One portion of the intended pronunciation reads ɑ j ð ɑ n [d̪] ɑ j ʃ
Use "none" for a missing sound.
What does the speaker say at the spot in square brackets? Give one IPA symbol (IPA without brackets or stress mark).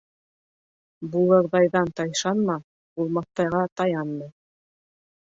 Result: t̪